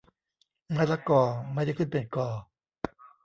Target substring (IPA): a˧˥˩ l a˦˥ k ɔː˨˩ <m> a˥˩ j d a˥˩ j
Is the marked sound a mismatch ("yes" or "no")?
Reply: no